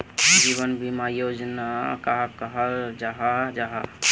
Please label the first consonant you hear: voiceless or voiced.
voiced